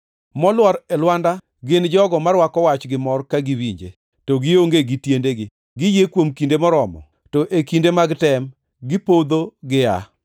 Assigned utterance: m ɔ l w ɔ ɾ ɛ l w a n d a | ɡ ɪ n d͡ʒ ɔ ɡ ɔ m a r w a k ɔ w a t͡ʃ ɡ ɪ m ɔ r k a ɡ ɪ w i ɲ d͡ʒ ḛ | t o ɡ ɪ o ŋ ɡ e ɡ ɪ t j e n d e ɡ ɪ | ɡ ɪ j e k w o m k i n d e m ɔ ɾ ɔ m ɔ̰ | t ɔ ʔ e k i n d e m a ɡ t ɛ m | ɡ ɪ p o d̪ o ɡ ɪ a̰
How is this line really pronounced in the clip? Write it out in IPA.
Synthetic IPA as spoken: m ɔ l w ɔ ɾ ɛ l w a n d a | ɡ ɪ n d͡ʒ ɔ ɡ ɔ m a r w a k ɔ w a t͡ʃ ɡ ɪ m ɔ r k a ɡ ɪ w i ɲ d͡ʒ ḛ | t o ɡ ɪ o ŋ ɡ e ɡ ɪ t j e n d e ɡ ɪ | ɡ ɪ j e k w o m k i n d e m ɔ ɾ ɔ m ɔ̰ | t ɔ ʔ e k i n d e m a ɡ t ɛ m | ɡ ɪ p o d̪ o ɡ ɪ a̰